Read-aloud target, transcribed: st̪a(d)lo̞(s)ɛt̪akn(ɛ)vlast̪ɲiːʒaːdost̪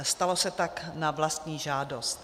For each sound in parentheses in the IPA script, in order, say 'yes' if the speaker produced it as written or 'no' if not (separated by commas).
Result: no, yes, no